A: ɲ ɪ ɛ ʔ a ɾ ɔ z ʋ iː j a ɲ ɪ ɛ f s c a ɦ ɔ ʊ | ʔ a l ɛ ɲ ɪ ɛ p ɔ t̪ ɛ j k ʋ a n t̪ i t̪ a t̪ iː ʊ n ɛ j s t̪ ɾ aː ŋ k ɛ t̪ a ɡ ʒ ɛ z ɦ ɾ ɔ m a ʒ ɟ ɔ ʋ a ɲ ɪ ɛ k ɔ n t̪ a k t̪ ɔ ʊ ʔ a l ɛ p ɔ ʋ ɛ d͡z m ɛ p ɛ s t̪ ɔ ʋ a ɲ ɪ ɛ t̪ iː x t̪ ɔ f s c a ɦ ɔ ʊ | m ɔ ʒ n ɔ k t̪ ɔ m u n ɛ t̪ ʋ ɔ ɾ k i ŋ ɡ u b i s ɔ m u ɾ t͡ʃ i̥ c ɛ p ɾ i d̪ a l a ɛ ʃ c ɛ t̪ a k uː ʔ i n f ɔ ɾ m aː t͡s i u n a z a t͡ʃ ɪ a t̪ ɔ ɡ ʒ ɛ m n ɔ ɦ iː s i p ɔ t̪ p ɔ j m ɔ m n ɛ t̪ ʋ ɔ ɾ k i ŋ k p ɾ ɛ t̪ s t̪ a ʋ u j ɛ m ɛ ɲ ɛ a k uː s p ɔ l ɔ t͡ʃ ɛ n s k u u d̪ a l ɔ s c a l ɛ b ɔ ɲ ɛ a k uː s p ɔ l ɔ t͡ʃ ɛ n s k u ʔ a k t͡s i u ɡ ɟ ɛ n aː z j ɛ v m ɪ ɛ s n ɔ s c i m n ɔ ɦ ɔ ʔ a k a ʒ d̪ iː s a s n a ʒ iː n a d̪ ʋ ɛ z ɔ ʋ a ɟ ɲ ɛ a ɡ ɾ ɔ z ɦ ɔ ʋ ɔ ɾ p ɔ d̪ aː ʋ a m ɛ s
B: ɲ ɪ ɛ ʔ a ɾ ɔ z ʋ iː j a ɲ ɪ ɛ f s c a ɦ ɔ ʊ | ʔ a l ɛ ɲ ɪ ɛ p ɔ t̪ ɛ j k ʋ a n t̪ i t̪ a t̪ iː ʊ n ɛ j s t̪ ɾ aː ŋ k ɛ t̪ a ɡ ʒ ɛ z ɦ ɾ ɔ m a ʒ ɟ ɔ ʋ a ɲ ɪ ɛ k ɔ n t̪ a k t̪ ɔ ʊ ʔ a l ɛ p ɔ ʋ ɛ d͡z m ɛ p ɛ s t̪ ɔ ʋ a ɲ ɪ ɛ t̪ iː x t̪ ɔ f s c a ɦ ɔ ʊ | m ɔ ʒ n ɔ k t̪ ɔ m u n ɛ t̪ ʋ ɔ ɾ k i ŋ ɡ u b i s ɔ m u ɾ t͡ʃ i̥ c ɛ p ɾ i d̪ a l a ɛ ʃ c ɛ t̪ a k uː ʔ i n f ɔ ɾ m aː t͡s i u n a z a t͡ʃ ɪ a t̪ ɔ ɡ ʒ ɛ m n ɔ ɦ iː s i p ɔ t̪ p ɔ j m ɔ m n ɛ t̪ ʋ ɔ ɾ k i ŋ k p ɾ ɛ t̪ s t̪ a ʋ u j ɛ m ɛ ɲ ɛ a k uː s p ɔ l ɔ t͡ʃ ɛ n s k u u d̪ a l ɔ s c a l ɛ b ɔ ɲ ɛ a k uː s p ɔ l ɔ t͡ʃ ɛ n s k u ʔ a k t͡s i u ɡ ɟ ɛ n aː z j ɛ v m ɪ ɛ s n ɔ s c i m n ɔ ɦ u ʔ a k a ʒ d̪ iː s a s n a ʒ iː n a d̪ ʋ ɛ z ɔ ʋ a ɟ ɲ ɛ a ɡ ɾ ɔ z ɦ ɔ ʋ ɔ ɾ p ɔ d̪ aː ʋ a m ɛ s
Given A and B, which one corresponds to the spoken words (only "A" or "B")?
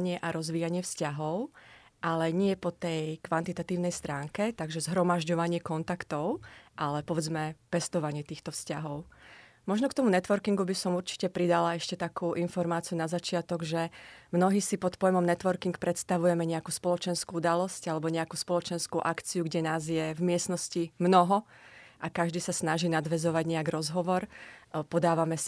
A